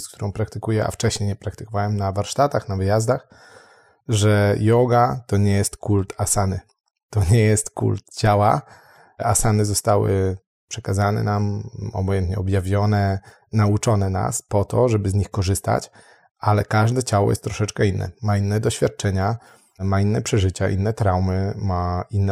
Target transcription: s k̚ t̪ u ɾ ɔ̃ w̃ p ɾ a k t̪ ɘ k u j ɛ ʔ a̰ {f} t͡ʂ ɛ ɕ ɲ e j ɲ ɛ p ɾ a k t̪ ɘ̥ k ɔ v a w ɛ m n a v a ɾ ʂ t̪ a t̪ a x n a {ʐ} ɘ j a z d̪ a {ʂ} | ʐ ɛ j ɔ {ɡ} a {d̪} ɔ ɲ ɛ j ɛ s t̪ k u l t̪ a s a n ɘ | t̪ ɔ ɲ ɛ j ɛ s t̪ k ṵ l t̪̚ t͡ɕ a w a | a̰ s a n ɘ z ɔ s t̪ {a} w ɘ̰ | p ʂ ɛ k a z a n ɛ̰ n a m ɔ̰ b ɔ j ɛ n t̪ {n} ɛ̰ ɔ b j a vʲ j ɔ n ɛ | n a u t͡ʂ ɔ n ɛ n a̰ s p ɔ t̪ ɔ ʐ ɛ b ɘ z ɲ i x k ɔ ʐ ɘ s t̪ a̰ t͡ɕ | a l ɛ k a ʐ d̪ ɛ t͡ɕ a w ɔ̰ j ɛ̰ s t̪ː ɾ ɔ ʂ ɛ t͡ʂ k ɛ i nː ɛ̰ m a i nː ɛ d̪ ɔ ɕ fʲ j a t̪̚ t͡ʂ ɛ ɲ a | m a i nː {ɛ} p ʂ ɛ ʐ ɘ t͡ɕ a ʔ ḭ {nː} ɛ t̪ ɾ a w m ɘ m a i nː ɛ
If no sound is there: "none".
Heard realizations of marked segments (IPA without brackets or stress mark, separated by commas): f, v, x, ɡ, t̪, a, ɲ, ɛ, nː